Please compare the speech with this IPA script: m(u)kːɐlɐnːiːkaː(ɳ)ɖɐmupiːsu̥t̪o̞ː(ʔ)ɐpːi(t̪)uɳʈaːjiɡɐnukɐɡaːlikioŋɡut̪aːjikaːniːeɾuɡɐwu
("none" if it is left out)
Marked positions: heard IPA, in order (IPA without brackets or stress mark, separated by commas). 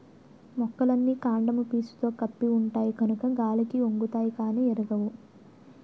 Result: ɔ, ɳ, k, none